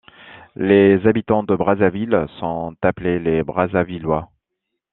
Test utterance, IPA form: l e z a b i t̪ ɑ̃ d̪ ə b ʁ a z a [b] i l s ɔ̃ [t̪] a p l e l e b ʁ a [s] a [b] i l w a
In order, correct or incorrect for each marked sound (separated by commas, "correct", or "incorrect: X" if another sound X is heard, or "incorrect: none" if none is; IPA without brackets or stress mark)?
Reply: incorrect: v, correct, incorrect: z, incorrect: v